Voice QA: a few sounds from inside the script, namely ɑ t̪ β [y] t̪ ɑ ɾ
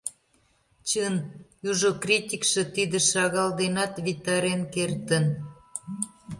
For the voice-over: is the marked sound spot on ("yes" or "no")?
no